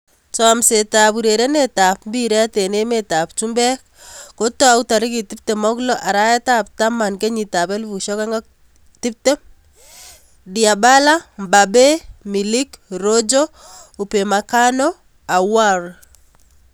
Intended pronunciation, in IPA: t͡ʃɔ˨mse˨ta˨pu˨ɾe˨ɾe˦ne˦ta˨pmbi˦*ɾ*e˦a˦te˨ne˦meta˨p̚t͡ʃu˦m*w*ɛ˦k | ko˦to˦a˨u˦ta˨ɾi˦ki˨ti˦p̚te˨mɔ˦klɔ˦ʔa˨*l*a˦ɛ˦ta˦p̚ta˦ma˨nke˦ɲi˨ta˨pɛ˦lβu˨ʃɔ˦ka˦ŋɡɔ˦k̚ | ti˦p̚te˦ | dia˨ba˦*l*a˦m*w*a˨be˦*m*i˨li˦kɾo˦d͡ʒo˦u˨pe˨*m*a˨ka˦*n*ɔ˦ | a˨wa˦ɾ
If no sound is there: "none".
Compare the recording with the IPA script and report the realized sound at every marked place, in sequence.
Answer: ɾ, b, ɾ, l, b, m, m, n

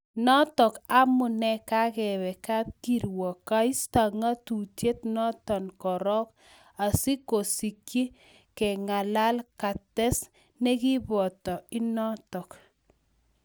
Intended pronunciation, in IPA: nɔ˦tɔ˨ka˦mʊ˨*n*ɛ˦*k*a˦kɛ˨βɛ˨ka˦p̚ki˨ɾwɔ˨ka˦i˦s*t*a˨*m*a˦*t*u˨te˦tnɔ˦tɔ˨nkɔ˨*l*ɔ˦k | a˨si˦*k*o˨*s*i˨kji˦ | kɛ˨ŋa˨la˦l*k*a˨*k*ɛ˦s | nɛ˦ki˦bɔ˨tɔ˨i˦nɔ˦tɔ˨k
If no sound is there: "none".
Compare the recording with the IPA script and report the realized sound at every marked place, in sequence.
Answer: n, k, t, ŋ, t, ɾ, k, s, k, t

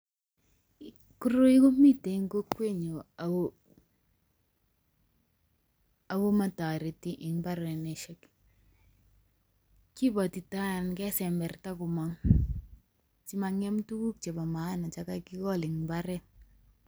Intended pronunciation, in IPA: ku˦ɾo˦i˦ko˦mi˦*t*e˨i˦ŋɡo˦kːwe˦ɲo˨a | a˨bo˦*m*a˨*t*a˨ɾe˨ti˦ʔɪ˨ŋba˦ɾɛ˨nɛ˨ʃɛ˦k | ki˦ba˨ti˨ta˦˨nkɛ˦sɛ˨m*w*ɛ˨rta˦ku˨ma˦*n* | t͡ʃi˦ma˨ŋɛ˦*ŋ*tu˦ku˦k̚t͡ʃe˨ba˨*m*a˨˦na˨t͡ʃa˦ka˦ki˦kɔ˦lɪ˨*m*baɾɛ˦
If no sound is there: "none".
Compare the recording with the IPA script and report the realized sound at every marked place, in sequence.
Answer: t, m, t, b, ŋ, m, m, ŋ

